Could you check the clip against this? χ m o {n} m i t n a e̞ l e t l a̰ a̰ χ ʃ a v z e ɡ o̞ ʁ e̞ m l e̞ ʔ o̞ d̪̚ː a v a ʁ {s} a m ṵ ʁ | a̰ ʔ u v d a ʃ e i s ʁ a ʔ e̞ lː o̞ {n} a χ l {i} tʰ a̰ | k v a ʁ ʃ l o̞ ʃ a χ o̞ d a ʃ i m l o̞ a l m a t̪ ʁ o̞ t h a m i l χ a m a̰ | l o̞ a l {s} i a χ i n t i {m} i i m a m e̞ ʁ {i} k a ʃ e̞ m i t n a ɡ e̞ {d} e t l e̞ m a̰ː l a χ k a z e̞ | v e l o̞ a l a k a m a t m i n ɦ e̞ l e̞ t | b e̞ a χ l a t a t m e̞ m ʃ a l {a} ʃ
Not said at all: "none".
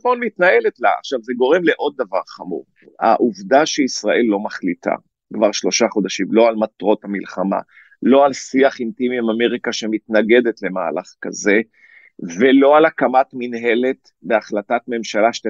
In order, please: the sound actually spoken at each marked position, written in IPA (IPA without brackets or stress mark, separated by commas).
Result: n, χ, m, i, s, m, i, d, a